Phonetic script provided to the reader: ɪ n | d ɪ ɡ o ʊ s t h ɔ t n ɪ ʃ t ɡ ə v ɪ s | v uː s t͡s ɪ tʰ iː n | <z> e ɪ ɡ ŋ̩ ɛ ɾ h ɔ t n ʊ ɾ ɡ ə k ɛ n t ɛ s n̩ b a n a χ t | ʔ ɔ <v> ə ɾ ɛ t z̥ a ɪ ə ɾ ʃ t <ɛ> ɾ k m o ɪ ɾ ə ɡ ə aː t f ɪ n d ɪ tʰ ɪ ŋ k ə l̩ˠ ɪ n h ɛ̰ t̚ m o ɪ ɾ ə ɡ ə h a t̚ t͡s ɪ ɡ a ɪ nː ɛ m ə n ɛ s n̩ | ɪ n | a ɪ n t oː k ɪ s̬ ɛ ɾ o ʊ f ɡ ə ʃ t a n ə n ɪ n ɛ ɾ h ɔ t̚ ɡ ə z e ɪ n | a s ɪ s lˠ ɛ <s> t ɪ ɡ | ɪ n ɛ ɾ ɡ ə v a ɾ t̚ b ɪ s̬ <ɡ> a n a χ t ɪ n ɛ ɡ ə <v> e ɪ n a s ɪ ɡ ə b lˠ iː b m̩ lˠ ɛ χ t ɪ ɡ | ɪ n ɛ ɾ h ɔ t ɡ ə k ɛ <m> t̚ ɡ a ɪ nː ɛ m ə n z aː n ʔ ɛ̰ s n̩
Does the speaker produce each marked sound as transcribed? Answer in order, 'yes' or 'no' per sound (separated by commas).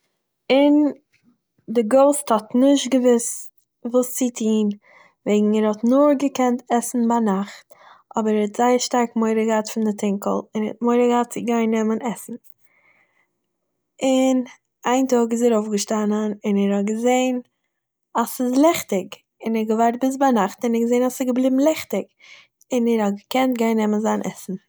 no, no, no, no, no, no, no